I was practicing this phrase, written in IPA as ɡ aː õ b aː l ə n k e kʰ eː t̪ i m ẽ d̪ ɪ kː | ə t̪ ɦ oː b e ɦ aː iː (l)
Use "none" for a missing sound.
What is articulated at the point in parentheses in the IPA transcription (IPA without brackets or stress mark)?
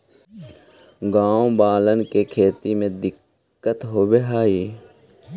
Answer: none